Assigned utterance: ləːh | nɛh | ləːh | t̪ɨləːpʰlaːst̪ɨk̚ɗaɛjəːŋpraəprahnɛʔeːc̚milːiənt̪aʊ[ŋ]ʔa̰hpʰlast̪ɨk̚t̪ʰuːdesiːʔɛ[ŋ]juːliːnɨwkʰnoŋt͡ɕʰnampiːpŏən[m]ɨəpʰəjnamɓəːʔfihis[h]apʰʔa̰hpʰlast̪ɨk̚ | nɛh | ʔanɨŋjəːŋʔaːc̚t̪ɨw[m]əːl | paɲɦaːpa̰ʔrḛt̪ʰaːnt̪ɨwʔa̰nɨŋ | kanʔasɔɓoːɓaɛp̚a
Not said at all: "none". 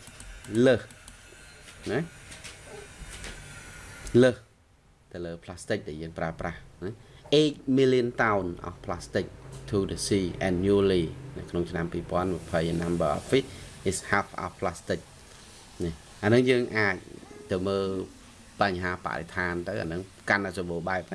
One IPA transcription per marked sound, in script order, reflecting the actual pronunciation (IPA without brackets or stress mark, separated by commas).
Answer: n, n, m, h, m